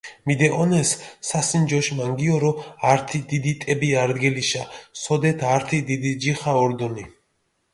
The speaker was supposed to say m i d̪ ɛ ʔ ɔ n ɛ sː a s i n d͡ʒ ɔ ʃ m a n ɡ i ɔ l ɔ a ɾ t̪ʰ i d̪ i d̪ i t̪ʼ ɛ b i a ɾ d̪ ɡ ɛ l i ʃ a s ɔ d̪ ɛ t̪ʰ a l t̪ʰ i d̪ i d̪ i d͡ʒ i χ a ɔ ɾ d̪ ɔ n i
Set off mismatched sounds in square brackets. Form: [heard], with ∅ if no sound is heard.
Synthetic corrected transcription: m i d̪ ɛ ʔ ɔ n ɛ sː a s i n d͡ʒ ɔ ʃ m a [ŋ] ɡ i ɔ [ɾ] ɔ a ɾ t̪ʰ i d̪ i d̪ i t̪ʼ ɛ b i a ɾ d̪ ɡ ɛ l i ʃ a s ɔ d̪ ɛ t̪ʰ a [ɾ] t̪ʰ i d̪ i d̪ i d͡ʒ i χ a ɔ ɾ d̪ ɔ n i